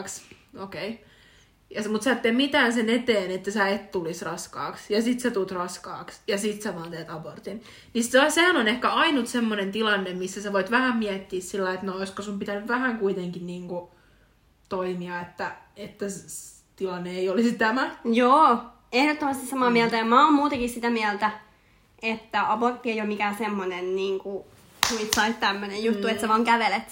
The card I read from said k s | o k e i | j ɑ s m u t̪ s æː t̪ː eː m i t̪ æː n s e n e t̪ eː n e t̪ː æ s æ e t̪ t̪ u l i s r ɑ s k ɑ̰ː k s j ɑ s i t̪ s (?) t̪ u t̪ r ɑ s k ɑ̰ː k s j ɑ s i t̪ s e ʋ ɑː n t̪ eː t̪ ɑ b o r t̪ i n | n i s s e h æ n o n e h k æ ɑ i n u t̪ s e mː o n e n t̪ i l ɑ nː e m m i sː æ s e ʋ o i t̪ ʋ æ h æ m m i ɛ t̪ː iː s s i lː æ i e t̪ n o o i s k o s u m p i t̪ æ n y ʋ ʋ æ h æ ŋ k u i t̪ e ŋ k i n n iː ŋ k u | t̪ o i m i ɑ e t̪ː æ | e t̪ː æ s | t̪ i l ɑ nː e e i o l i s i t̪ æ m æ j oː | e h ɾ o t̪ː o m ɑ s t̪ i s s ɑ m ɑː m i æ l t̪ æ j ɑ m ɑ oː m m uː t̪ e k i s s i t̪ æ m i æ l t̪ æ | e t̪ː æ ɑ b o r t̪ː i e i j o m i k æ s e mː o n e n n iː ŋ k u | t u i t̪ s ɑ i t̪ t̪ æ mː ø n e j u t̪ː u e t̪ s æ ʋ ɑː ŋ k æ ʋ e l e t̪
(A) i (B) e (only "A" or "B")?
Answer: B